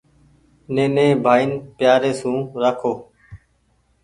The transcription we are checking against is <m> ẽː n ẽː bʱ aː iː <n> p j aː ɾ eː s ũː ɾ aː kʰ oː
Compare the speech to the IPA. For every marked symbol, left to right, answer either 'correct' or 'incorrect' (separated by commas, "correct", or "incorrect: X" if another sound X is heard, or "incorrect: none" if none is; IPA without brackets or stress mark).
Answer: incorrect: n, correct